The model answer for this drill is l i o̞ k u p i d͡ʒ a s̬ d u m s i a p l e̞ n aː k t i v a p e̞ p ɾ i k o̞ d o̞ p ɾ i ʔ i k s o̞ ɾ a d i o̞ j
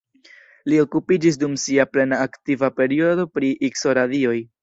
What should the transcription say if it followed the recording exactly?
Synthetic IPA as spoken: l i o̞ k u p i d͡ʒ i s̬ d u m s i a p l e̞ n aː k t i v a p e̞ ɾ i o̞ d o̞ p ɾ i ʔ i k s o̞ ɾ a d i o̞ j